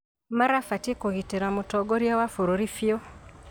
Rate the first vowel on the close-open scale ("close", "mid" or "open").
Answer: open